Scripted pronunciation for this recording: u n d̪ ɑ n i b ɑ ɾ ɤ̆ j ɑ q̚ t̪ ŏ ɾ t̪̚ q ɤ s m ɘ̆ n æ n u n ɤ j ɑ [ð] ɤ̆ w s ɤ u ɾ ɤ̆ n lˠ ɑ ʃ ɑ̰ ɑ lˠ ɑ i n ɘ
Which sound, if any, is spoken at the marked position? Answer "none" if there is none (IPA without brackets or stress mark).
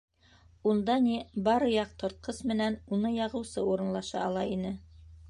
ʁ